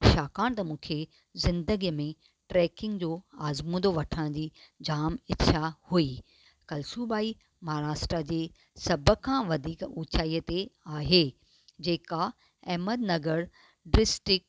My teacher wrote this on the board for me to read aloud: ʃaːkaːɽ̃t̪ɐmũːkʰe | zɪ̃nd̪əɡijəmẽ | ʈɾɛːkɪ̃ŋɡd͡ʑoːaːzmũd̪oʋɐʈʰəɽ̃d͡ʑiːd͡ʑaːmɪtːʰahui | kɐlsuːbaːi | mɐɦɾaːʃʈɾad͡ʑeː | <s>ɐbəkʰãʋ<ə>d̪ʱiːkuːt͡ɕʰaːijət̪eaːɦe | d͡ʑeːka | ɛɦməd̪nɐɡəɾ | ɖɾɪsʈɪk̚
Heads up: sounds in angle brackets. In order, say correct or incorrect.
correct, incorrect

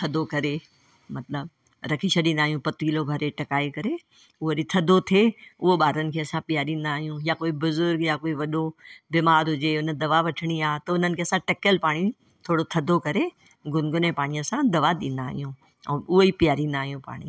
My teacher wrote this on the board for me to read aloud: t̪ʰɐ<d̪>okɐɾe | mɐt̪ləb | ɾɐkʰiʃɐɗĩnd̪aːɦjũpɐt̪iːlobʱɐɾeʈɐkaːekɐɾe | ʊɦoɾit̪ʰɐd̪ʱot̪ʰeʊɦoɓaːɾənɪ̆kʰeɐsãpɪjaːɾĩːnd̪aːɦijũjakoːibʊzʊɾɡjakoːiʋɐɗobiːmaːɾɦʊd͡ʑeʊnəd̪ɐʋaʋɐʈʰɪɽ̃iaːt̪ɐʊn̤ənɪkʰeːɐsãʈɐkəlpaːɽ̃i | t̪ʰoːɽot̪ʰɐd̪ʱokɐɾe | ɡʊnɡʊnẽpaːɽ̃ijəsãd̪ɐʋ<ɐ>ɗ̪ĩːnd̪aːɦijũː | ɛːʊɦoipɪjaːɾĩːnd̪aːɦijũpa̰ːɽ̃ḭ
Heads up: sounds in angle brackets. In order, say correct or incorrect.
correct, incorrect

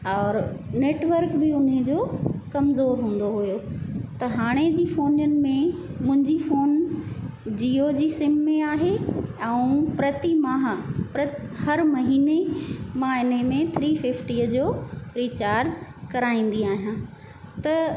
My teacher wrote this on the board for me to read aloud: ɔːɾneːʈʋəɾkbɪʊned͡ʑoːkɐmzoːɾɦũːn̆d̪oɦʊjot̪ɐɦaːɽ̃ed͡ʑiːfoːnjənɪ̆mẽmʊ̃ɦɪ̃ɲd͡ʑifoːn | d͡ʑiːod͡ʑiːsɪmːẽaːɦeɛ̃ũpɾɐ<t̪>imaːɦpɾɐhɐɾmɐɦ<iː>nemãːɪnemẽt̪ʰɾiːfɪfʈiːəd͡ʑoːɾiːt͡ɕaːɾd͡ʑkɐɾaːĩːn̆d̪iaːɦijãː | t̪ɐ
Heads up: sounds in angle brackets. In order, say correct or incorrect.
correct, correct

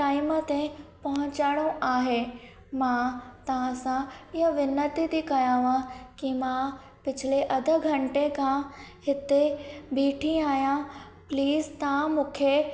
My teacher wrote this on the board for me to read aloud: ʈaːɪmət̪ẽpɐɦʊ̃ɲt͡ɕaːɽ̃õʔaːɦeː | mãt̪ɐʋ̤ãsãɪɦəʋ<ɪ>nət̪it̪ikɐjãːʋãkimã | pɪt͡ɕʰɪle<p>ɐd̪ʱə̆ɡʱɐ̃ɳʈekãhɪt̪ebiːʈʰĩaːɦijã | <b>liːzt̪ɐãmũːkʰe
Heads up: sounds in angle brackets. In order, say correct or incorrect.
correct, incorrect, incorrect

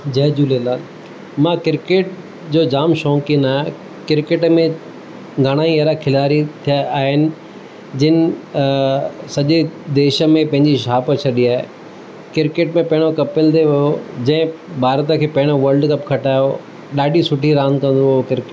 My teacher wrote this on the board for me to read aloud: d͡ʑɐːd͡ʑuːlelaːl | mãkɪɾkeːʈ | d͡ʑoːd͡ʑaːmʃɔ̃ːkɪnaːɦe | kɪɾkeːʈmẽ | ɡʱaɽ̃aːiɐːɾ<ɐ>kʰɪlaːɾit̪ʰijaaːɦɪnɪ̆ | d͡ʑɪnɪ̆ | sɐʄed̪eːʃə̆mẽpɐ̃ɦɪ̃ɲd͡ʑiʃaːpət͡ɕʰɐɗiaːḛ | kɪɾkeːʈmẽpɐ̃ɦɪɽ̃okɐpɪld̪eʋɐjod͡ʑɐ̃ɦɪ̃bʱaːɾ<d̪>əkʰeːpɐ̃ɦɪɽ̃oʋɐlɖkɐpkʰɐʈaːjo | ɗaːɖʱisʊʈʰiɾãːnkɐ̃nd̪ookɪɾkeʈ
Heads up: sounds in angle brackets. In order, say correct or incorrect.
incorrect, incorrect

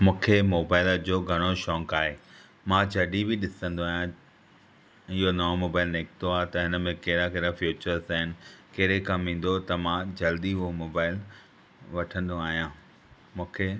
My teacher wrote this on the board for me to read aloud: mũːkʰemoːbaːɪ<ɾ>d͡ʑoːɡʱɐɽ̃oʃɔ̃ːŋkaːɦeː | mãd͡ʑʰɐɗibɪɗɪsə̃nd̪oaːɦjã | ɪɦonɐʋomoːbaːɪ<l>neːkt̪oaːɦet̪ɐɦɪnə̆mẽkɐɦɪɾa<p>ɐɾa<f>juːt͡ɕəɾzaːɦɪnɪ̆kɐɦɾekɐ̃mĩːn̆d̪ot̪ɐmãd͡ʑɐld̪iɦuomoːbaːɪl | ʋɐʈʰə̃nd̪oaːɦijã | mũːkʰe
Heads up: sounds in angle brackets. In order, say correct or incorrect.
incorrect, correct, incorrect, correct

